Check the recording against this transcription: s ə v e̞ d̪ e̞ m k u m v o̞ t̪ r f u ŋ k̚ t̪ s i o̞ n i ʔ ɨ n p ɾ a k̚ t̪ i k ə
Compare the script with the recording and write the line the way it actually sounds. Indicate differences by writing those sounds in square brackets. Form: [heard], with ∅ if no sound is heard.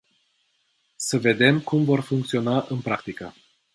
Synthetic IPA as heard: s ə v e̞ d̪ e̞ m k u m v o̞ [∅] r f u ŋ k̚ t̪ s i o̞ n [a] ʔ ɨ n p ɾ a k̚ t̪ i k ə